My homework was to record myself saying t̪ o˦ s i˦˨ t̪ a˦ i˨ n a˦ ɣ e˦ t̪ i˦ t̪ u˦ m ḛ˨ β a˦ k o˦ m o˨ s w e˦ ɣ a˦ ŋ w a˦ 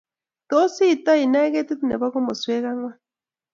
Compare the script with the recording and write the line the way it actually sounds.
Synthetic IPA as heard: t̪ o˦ s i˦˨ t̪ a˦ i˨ n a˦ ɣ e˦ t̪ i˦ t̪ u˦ n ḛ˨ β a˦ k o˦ m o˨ s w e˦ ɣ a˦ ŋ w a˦